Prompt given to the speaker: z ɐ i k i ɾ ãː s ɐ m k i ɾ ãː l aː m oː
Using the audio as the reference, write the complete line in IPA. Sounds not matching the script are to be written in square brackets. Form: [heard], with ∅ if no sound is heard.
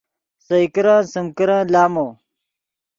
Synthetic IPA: [s] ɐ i k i ɾ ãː s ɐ m k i ɾ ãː l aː m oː